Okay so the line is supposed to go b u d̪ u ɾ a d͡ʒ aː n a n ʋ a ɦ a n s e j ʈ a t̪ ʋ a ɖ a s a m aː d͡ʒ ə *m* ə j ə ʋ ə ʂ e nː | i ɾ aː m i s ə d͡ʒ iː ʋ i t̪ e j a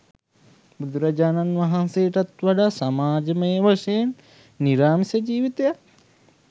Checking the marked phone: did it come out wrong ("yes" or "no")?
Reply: no